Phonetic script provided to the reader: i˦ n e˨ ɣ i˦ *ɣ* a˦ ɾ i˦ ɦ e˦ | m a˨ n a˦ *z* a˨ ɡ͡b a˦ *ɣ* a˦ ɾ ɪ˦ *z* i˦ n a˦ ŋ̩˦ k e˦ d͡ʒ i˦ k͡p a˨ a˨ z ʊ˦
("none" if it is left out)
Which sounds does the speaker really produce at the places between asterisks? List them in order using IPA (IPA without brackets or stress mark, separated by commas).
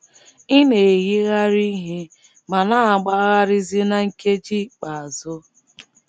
ɣ, none, ɣ, z